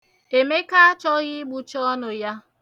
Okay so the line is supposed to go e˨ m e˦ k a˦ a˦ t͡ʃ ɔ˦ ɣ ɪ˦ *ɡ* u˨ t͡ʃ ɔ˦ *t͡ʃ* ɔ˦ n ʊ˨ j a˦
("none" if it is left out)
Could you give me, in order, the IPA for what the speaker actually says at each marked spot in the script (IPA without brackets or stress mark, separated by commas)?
ɡ͡b, none